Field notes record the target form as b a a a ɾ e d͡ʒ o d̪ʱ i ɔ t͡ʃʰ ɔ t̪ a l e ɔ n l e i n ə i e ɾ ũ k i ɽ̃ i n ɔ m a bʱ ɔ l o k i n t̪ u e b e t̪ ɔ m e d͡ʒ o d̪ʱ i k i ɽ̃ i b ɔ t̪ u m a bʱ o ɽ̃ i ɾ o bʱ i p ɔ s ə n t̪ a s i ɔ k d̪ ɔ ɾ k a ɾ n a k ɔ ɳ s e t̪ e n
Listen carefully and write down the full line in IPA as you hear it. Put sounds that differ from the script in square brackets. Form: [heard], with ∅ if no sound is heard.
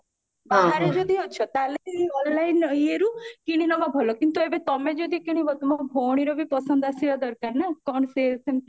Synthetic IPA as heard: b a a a ɾ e d͡ʒ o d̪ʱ i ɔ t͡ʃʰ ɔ t̪ a l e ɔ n l [a] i n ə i e ɾ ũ k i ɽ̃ i n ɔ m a bʱ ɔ l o k i n t̪ u e b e t̪ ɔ m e d͡ʒ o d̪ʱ i k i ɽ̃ i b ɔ t̪ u m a bʱ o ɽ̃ i ɾ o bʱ i p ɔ s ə n [d̪] a s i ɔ [∅] d̪ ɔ ɾ k a ɾ n a k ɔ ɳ s e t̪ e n

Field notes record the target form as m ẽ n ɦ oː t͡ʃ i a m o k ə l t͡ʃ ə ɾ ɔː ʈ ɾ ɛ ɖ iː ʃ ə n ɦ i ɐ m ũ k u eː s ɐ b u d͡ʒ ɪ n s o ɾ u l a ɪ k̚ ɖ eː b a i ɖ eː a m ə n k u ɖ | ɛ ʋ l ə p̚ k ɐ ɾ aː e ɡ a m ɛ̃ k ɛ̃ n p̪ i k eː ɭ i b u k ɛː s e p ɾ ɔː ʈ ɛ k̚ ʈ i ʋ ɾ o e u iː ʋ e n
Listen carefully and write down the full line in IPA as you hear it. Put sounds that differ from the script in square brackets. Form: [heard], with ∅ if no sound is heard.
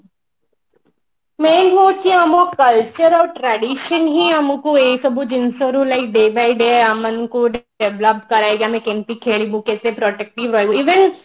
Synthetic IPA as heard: m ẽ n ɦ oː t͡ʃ i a m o k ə l t͡ʃ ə ɾ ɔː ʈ ɾ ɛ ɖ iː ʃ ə n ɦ i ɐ m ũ k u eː s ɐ b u d͡ʒ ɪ n s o ɾ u l a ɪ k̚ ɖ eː b a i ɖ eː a m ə n k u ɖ | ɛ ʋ l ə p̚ k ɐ ɾ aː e ɡ a m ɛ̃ k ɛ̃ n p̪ i [kʰ] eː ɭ i b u k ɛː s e p ɾ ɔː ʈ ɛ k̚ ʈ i ʋ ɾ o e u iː ʋ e n

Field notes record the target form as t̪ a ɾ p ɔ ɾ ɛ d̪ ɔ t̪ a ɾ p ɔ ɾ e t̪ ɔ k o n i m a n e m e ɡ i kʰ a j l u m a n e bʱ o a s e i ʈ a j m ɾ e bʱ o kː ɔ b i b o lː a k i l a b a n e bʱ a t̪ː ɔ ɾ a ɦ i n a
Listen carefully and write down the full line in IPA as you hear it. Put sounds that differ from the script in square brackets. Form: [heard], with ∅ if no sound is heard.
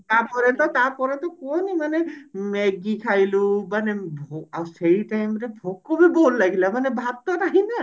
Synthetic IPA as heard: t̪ a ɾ p ɔ ɾ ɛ [t̪] ɔ t̪ a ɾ p ɔ ɾ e t̪ ɔ k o n i m a n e m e ɡ i kʰ a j l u m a n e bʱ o a s e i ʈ a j m ɾ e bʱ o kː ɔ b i b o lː a [ɡ] i l a [m] a n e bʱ a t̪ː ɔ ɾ a ɦ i n a

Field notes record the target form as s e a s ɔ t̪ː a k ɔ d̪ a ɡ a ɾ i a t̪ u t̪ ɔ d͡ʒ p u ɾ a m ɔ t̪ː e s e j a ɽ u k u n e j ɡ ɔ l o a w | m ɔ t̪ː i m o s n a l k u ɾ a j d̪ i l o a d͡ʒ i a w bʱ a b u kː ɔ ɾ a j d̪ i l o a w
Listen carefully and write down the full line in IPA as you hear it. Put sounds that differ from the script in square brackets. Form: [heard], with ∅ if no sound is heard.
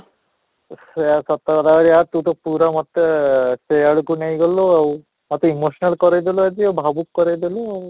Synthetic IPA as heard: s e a s ɔ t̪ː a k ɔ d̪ a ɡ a ɾ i a t̪ u t̪ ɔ [∅] p u ɾ a m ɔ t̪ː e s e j a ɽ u k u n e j ɡ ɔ l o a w | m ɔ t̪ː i m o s n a l k [ɔ] ɾ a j d̪ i l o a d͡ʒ i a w bʱ a b u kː ɔ ɾ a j d̪ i l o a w

